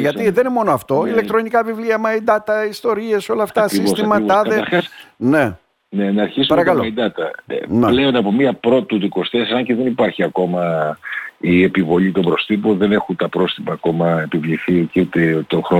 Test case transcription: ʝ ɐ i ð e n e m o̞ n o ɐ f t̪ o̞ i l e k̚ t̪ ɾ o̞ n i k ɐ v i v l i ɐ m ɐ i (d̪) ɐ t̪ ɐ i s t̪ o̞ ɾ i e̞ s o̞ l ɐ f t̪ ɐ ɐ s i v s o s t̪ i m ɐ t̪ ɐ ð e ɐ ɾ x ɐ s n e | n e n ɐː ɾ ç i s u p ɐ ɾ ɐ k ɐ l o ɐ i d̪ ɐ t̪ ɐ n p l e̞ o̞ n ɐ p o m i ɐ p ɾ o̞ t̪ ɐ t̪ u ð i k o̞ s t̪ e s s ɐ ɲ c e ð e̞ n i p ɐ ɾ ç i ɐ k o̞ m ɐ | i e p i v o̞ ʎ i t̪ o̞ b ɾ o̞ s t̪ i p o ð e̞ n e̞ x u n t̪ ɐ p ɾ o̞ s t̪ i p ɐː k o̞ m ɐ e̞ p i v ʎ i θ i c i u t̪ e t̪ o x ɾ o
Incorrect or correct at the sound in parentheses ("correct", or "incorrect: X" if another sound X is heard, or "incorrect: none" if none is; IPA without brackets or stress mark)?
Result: correct